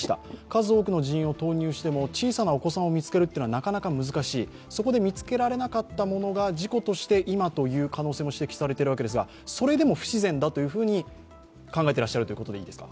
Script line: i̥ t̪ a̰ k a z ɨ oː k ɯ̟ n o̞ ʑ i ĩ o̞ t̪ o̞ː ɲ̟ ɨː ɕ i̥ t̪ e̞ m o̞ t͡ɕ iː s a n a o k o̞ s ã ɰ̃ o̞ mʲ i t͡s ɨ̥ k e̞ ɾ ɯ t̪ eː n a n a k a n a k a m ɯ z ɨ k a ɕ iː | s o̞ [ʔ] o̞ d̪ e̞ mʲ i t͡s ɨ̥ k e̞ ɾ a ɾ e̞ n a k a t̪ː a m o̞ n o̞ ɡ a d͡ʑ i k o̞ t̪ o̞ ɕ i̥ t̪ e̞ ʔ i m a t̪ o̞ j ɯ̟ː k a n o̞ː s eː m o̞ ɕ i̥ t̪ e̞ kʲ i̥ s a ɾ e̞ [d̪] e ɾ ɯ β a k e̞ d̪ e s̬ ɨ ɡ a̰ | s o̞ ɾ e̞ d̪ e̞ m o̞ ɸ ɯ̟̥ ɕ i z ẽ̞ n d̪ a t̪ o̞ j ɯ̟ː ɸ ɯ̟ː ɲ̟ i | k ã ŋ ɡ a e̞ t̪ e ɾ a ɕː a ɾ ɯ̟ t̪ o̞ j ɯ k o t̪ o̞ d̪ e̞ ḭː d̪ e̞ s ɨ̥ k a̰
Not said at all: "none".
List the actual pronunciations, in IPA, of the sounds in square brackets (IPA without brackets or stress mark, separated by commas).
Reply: k, t̪